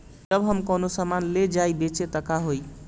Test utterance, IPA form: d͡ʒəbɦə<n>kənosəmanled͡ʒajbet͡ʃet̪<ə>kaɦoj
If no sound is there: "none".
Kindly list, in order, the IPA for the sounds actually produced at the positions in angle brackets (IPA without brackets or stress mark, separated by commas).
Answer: m, ə